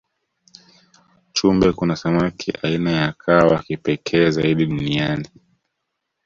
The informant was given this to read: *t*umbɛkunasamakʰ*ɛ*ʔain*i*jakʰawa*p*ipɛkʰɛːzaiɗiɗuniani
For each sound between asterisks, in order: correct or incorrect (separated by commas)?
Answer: incorrect, incorrect, incorrect, incorrect